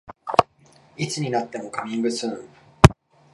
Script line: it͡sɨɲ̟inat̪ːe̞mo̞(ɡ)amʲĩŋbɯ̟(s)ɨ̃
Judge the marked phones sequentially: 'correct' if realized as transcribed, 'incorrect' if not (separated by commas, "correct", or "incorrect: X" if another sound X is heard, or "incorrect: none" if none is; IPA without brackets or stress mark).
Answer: incorrect: k, correct